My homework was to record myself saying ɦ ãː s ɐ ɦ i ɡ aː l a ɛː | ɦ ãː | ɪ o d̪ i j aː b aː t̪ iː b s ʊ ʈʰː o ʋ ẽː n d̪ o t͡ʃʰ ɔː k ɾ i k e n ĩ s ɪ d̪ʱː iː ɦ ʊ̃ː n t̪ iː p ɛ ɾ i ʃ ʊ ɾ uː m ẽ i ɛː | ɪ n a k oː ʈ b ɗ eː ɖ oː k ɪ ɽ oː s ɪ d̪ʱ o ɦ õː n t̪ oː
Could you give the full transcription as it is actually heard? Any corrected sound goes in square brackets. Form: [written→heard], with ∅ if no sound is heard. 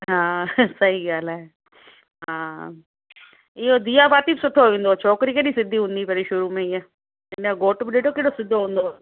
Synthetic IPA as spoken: ɦ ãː s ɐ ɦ i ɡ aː l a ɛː | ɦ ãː | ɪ o d̪ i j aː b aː t̪ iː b s ʊ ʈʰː o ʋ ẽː n d̪ o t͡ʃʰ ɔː k ɾ i k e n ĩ s ɪ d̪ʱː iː ɦ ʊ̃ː n [t̪→d̪] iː p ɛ ɾ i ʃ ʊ ɾ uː m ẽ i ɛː | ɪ n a [k→ɡ] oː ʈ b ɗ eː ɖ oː k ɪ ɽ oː s ɪ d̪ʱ o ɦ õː n [t̪→d̪] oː